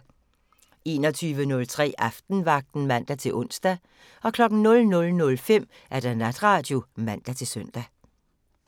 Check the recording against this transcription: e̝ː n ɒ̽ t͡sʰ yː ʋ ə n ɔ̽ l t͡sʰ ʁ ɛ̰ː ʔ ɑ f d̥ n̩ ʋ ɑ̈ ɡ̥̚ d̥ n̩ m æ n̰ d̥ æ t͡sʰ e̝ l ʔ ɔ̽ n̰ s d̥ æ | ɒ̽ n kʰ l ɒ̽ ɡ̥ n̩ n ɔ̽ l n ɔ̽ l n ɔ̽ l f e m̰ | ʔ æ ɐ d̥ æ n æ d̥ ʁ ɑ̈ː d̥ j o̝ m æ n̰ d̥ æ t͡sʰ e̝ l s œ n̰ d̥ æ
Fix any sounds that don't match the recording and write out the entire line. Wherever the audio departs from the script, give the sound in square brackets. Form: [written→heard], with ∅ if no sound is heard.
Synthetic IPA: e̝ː n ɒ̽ t͡sʰ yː ʋ ə n ɔ̽ l t͡sʰ ʁ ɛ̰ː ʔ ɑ f d̥ n̩ ʋ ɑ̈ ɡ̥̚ d̥ n̩ m æ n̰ d̥ æ t͡sʰ e̝ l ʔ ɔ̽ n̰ s d̥ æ | ɒ̽ [n→∅] kʰ l ɒ̽ ɡ̥ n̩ n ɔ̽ l n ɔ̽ l n ɔ̽ l f e m̰ | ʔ æ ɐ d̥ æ n æ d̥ ʁ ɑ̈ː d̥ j o̝ m æ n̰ d̥ æ t͡sʰ e̝ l s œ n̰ d̥ æ